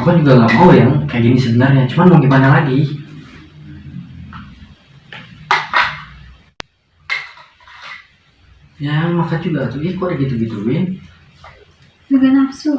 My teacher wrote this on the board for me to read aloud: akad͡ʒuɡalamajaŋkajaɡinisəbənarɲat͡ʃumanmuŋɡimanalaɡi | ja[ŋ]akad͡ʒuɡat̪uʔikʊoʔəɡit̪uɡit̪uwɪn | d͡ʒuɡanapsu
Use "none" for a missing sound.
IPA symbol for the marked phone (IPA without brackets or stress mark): m